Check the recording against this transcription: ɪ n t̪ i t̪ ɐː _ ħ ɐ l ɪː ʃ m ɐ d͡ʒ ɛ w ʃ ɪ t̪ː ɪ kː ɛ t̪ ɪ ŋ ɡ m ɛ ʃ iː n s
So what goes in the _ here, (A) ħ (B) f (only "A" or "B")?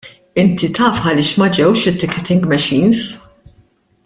B